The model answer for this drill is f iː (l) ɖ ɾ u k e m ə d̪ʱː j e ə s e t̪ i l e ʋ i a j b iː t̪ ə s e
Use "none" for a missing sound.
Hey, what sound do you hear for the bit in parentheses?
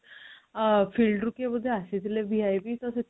l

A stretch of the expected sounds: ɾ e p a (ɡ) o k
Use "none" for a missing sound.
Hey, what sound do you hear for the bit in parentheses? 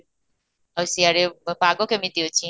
ɡ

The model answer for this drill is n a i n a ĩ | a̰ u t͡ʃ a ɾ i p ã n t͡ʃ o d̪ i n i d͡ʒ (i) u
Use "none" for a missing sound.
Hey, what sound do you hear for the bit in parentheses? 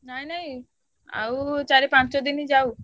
a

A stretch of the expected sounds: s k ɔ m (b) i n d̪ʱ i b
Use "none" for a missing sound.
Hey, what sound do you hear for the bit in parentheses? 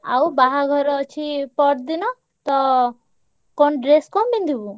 b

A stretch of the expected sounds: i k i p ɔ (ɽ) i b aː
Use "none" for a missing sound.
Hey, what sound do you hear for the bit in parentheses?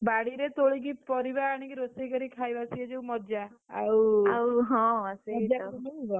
ɾ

